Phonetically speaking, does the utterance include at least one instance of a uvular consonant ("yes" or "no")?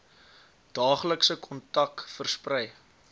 yes